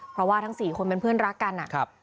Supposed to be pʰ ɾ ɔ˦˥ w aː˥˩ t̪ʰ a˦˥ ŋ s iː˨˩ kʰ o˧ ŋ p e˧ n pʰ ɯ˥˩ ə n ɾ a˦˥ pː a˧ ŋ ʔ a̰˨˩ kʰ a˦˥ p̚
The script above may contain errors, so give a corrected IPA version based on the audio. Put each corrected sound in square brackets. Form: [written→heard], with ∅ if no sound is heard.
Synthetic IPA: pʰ ɾ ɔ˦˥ w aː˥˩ t̪ʰ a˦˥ ŋ s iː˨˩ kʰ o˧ [ŋ→n] p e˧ n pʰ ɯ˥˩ ə n ɾ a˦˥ [pː→kː] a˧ [ŋ→n] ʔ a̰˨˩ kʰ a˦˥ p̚